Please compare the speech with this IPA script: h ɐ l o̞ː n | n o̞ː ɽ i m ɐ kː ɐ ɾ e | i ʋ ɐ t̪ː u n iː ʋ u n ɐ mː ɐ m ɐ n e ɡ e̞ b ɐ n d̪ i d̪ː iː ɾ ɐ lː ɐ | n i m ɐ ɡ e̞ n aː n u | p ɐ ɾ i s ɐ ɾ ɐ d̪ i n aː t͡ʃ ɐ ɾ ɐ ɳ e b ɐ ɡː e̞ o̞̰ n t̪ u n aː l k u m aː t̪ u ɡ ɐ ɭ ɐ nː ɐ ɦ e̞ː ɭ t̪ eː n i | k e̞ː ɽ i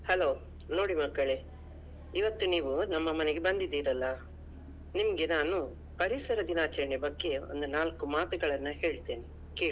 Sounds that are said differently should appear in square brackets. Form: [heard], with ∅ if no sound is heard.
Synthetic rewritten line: h ɐ l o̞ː [∅] | n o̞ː ɽ i m ɐ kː ɐ [ɭ] e | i ʋ ɐ t̪ː u n iː ʋ u n ɐ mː ɐ m ɐ n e ɡ e̞ b ɐ n d̪ i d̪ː iː ɾ ɐ lː ɐ | n i m ɐ ɡ e̞ n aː n u | p ɐ ɾ i s ɐ ɾ ɐ d̪ i n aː t͡ʃ ɐ ɾ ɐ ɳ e b ɐ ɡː e̞ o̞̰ n [d̪] u n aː l k u m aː t̪ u ɡ ɐ ɭ ɐ nː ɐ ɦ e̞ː ɭ t̪ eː n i | k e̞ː [ɭ] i